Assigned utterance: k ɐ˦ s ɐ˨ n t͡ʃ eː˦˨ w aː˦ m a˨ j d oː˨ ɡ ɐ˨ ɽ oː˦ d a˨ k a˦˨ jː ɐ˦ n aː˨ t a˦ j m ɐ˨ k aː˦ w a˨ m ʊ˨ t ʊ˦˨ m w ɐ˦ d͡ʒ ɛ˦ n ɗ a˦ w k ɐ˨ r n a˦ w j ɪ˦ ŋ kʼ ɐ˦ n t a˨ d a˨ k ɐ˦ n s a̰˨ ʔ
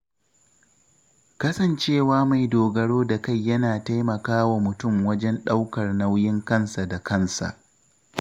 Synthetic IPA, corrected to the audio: k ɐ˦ s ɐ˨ n t͡ʃ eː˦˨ w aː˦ m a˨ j d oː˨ ɡ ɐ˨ ɽ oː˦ d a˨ k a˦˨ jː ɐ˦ n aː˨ t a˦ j m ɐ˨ k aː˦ w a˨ m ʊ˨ t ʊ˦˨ m w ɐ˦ d͡ʒ ɛ˦ n ɗ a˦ w k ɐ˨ r n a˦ w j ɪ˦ ŋ k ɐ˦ n s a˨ d a˨ k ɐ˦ n s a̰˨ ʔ